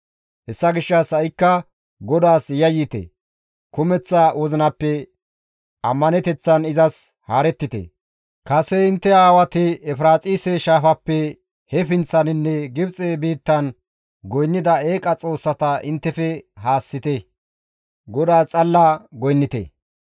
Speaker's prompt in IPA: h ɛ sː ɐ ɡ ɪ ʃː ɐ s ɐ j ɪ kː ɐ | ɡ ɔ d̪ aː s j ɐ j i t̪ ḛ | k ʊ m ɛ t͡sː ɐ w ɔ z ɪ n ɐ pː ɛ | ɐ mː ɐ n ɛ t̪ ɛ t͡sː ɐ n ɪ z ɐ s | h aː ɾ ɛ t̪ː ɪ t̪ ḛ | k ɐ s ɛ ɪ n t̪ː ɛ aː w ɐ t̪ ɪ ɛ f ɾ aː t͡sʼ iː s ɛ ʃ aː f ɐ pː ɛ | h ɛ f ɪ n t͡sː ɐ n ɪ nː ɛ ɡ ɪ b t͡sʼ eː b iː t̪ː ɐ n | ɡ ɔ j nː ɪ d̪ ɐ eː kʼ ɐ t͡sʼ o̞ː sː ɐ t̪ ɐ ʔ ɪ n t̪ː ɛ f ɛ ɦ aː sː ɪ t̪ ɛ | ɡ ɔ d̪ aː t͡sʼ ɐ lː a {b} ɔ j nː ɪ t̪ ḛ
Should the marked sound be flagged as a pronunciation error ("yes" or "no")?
yes